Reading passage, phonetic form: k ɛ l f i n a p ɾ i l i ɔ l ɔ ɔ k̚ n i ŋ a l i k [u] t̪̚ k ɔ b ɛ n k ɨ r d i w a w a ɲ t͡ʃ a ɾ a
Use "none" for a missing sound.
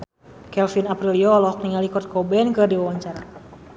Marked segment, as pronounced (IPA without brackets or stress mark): ɔ